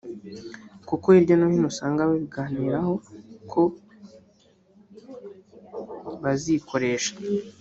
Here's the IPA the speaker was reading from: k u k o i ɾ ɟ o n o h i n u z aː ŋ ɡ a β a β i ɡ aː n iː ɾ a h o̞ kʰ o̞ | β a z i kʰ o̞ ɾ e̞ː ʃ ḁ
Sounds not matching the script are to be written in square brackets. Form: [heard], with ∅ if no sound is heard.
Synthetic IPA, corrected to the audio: k u k o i ɾ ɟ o n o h i n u [s] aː ŋ ɡ a β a β i ɡ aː n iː ɾ a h o̞ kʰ o̞ | β a z i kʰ o̞ ɾ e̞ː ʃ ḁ